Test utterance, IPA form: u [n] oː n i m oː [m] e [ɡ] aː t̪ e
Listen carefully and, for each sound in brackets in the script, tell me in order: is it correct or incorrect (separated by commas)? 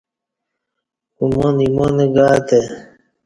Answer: incorrect, incorrect, correct